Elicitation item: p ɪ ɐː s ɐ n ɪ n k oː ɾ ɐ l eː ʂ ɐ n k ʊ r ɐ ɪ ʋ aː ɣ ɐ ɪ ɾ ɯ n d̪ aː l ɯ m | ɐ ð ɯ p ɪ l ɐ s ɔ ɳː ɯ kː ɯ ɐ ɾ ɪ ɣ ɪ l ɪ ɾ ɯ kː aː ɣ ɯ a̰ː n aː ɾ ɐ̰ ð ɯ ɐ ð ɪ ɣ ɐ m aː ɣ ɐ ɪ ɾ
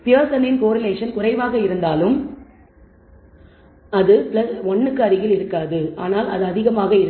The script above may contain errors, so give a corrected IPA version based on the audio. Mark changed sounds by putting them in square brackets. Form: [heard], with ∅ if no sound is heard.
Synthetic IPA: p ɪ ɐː s ɐ n ɪ n k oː ɾ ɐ l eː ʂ ɐ n k ʊ r ɐ ɪ ʋ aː ɣ ɐ ɪ ɾ ɯ n d̪ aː l ɯ m | ɐ ð ɯ p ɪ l ɐ s ɔ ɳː ɯ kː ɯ ɐ ɾ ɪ ɣ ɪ l ɪ ɾ ɯ kː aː [ð] ɯ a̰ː n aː [l] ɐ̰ ð ɯ ɐ ð ɪ ɣ ɐ m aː ɣ ɐ ɪ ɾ